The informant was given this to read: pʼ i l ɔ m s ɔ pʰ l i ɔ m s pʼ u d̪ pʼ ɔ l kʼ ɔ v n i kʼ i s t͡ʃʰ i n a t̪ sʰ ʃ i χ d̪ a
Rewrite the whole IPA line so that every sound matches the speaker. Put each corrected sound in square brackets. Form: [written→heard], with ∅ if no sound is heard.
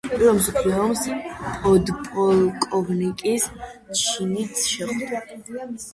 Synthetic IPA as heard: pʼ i [l→ɾ] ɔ m s ɔ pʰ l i ɔ m s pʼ [u→ɔ] d̪ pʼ ɔ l kʼ ɔ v n i kʼ i s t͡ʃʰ i n [a→i] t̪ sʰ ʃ [i→ɛ] χ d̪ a